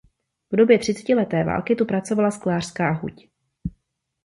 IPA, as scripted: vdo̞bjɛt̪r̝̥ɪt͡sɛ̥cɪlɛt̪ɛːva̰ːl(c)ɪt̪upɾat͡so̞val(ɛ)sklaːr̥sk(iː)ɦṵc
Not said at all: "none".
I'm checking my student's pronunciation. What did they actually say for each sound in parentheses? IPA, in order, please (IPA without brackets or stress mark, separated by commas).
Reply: k, a, aː